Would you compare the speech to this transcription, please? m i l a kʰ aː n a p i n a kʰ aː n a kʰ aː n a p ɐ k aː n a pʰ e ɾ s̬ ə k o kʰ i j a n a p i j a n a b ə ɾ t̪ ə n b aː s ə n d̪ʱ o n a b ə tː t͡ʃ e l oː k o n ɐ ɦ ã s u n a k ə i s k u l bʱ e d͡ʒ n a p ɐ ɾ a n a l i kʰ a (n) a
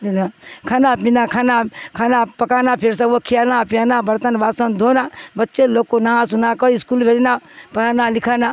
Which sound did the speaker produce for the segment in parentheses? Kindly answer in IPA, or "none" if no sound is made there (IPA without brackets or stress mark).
n